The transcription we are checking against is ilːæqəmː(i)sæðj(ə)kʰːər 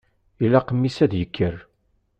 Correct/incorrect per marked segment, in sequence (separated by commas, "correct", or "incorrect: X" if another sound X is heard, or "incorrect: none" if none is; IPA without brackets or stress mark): correct, correct